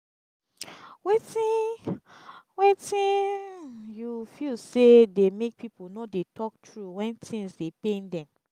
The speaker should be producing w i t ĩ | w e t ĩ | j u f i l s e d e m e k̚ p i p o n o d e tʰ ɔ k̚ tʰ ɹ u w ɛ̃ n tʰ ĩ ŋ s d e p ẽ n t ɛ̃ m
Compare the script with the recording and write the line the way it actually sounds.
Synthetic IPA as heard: w e t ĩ | w e t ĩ | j u f i l s e d e m e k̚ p i p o n o d e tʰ ɔ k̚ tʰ ɹ u w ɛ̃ n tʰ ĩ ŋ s d e p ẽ n d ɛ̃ m